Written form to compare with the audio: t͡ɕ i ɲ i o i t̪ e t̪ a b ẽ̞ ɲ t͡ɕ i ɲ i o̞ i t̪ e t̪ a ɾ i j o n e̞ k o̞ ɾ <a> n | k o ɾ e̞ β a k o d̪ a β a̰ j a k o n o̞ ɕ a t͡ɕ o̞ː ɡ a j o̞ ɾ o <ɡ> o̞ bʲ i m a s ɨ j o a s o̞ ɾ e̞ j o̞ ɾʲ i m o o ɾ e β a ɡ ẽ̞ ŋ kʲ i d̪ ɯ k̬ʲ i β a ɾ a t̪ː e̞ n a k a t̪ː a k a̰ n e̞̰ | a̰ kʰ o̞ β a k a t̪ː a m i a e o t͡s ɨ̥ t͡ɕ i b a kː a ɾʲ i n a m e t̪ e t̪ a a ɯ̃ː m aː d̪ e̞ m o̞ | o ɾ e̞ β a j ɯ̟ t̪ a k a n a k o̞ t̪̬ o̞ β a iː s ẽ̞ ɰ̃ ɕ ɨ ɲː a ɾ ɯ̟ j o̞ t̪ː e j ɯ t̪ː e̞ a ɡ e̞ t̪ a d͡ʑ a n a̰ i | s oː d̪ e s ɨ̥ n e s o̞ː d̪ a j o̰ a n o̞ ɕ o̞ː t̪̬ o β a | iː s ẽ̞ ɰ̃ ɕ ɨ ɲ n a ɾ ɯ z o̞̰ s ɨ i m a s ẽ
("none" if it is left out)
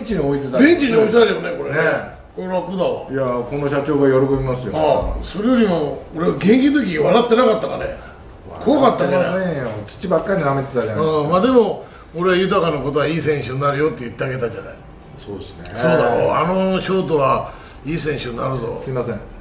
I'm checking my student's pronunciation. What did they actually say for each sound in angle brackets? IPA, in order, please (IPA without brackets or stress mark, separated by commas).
e, k